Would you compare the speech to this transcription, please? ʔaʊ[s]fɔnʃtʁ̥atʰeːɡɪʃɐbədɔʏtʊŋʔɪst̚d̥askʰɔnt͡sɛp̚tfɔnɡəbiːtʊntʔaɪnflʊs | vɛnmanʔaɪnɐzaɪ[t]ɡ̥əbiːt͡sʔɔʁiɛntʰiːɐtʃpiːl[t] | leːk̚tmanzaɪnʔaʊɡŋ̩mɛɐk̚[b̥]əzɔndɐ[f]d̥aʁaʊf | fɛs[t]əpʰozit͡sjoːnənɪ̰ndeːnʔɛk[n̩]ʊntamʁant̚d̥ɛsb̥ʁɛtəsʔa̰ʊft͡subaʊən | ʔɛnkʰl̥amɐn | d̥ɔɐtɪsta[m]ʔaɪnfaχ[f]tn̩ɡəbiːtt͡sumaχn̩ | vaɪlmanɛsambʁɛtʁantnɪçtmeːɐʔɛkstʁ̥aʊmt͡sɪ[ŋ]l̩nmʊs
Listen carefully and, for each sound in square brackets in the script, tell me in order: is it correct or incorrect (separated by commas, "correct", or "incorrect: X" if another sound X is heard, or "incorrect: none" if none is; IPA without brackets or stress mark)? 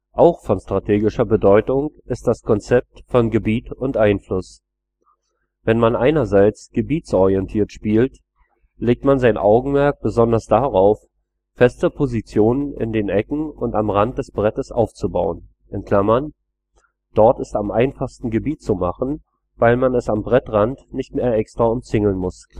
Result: incorrect: x, incorrect: t͡s, correct, correct, incorrect: s, correct, incorrect: ŋ̩, correct, incorrect: s, correct